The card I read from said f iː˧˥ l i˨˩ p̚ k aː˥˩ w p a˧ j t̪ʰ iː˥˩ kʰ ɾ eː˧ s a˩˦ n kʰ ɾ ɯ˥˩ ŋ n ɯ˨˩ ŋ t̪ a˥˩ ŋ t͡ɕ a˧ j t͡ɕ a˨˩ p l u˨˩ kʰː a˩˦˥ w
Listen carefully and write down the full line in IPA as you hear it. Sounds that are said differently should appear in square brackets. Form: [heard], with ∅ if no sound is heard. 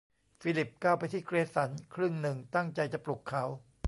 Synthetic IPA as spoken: f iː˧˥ l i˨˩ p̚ k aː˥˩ w p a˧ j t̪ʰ iː˥˩ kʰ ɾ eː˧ s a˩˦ n kʰ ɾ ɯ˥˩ ŋ n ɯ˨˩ ŋ t̪ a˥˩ ŋ t͡ɕ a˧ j t͡ɕ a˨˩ p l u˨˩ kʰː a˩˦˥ w